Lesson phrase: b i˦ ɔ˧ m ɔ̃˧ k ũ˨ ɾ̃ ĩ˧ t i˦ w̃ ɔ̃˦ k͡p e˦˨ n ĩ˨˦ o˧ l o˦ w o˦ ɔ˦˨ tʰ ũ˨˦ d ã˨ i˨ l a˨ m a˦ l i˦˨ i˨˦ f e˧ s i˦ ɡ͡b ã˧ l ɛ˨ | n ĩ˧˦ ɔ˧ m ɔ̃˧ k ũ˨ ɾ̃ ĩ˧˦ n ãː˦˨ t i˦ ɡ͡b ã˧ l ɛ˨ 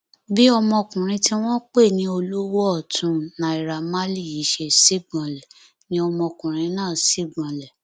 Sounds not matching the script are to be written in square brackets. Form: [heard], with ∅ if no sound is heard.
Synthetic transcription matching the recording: b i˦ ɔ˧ m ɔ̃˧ k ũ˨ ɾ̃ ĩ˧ t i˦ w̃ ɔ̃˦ k͡p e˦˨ n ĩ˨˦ o˧ l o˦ w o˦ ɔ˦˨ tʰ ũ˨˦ [n] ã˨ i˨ [ɾ] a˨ m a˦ l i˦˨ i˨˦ [ʃ] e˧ s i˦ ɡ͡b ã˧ l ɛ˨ | n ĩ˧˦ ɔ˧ m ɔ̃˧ k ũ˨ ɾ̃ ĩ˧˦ n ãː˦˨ [s] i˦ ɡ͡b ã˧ l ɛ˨